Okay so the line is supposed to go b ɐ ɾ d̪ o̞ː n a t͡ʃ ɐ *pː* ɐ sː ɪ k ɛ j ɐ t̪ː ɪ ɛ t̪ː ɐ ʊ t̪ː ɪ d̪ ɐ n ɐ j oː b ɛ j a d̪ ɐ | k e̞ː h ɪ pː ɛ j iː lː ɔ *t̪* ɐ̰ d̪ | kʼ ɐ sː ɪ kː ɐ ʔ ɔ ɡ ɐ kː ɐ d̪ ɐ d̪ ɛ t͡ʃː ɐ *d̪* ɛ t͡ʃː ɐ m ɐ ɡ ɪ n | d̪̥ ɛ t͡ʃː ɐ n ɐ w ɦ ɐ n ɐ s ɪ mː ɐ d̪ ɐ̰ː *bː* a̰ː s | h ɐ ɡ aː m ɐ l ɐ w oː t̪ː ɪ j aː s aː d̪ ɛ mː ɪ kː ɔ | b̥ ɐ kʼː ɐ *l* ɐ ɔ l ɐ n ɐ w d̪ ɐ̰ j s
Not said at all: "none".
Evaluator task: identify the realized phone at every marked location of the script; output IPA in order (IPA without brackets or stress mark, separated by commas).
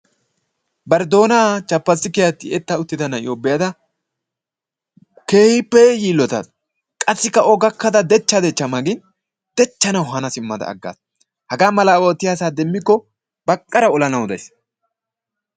pː, t̪, d̪, ɡː, ɾ